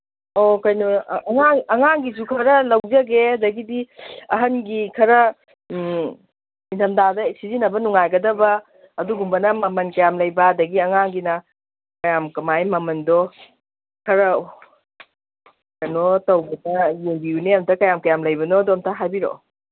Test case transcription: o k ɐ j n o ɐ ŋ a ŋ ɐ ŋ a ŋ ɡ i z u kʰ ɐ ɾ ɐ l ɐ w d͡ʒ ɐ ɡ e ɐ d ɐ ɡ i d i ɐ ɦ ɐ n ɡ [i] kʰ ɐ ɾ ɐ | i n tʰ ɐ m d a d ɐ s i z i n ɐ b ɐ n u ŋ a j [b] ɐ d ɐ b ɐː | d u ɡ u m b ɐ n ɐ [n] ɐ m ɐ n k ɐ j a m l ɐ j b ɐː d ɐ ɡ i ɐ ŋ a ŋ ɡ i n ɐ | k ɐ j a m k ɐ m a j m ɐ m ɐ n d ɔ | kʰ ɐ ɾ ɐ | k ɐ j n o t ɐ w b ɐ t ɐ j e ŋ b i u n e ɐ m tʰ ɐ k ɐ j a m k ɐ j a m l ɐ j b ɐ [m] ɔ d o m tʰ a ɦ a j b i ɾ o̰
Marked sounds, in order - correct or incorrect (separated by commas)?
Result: correct, incorrect, incorrect, incorrect